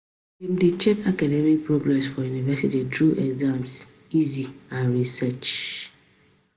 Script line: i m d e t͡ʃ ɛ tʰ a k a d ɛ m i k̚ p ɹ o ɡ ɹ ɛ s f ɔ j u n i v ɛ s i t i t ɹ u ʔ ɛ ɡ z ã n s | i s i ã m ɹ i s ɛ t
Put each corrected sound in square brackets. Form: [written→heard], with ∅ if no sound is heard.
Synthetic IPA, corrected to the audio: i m d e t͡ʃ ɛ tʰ a k a d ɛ m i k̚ p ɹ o ɡ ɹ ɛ s f ɔ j u n i v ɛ s i t i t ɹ u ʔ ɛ ɡ z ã [n→m] s | i [s→z] i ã [m→n] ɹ i s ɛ [t→t͡ʃ]